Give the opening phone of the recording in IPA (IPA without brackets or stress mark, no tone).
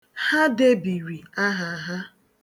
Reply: h